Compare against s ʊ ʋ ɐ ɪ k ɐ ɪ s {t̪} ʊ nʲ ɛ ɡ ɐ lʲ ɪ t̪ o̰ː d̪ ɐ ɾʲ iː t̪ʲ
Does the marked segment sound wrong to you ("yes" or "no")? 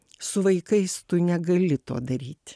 no